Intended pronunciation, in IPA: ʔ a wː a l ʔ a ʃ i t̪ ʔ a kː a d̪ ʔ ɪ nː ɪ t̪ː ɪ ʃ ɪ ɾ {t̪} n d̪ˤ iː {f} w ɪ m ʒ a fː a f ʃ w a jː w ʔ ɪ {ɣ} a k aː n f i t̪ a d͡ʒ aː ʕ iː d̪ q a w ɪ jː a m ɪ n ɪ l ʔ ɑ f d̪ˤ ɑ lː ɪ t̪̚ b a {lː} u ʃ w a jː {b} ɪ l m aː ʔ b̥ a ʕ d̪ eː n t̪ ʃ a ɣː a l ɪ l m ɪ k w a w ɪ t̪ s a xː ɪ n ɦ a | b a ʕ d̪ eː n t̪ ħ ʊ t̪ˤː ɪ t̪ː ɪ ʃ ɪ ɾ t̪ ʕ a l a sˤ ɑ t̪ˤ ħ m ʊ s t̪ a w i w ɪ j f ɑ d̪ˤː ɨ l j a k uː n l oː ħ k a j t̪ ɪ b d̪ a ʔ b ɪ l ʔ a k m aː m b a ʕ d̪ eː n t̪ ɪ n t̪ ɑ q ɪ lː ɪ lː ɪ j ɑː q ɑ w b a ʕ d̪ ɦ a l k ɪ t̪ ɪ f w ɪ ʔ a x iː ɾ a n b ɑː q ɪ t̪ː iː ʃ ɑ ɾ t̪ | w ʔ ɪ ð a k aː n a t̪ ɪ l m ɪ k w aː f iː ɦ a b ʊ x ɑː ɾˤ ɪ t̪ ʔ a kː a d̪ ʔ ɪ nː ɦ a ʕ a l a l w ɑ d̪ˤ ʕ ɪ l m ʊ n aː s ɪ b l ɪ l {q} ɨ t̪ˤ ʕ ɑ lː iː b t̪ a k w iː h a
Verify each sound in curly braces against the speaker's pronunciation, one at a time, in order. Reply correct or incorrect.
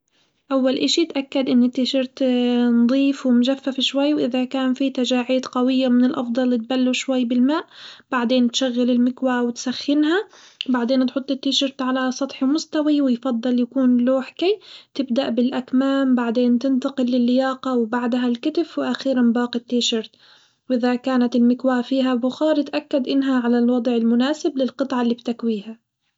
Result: correct, correct, incorrect: ð, correct, correct, correct

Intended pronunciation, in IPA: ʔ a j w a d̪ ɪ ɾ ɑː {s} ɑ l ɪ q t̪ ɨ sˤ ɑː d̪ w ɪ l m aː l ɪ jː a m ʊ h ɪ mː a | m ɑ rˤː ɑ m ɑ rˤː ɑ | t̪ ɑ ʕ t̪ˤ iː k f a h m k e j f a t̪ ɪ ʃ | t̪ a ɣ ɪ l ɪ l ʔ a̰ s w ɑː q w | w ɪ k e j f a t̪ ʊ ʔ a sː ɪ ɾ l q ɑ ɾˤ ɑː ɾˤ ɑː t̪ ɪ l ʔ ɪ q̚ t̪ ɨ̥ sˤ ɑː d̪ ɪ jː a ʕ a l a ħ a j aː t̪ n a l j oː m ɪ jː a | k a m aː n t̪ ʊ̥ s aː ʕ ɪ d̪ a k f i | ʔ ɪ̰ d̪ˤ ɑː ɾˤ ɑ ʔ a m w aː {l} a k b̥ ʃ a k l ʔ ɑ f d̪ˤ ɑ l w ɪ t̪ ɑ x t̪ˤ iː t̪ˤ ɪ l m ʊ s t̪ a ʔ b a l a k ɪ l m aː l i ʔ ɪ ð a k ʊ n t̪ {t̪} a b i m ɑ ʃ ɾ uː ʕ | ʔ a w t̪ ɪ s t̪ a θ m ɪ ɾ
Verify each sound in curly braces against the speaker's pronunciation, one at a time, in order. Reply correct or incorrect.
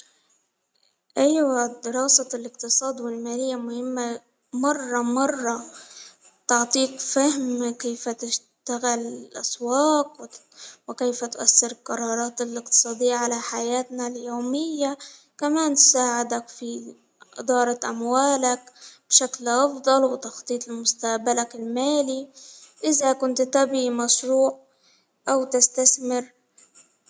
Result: correct, correct, correct

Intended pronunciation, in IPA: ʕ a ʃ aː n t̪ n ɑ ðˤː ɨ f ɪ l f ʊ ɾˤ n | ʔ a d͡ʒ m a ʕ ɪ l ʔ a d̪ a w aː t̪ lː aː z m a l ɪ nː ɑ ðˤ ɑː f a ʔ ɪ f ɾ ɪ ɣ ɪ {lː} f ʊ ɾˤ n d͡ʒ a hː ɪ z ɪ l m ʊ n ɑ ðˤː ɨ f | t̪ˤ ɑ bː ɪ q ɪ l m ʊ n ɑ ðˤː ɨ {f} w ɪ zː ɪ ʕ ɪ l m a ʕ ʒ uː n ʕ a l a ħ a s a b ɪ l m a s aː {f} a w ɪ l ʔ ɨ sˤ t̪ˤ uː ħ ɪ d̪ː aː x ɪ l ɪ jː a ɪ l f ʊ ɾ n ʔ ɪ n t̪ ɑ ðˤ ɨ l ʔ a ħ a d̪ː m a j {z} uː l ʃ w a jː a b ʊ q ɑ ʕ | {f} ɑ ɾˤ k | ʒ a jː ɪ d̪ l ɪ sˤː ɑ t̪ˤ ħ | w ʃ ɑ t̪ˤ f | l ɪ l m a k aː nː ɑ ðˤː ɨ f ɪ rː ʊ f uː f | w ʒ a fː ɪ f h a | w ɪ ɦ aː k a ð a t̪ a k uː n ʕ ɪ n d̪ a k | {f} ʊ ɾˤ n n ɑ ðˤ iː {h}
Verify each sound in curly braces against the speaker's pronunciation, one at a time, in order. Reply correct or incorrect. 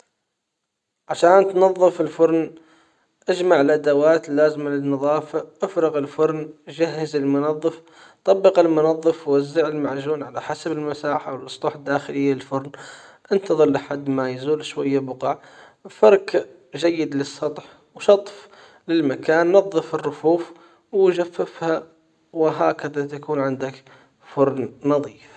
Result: incorrect: l, correct, incorrect: ħ, correct, correct, correct, incorrect: f

